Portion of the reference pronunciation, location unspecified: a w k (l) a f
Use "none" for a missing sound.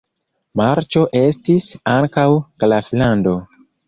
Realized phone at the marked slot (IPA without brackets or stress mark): l